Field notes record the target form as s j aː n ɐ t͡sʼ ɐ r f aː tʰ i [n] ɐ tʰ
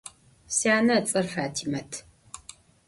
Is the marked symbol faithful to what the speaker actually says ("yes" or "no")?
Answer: no